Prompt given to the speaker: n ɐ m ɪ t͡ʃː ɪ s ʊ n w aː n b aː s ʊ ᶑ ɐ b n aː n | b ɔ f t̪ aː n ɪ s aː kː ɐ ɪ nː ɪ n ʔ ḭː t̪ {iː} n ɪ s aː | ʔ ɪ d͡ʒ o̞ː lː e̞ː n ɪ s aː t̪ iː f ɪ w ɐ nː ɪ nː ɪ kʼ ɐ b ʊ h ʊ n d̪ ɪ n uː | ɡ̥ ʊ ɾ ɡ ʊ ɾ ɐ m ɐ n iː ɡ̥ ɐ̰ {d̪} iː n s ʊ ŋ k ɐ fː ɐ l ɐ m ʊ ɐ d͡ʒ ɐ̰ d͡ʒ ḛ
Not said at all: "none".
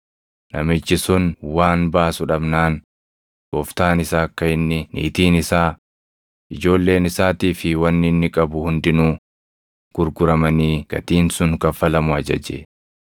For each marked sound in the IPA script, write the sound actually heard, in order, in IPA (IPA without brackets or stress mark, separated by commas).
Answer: iː, t̪